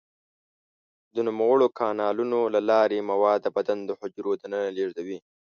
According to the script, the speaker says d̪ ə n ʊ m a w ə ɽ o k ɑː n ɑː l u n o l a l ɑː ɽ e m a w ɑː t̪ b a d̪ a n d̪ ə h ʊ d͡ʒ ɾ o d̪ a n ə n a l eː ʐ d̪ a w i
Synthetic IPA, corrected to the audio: d̪ ə n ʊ m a w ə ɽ o k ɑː n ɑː l u n o l a l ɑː ɾ e m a w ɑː d̪ b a d̪ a n d̪ ə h ʊ d͡ʒ ɾ o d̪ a n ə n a l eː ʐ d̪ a w i